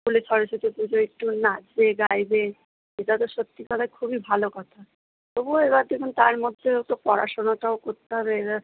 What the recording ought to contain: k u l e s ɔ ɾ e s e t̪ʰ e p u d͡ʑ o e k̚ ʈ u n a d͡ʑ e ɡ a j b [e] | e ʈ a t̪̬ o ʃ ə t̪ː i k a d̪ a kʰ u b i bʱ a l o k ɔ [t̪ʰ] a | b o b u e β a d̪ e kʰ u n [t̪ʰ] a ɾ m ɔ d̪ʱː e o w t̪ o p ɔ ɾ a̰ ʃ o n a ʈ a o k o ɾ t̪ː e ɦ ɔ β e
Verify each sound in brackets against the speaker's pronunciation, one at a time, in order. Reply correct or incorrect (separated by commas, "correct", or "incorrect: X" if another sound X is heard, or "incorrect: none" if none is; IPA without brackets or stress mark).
correct, correct, incorrect: t̪